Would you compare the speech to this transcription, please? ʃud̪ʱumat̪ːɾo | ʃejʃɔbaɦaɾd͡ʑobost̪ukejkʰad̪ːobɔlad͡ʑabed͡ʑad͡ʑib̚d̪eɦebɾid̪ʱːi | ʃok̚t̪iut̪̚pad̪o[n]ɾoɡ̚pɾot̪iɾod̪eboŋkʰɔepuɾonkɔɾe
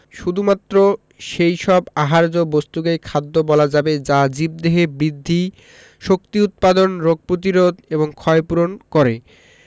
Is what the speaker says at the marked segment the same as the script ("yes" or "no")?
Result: yes